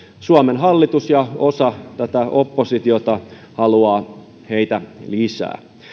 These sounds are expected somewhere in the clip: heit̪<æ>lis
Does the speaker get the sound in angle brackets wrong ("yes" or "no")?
no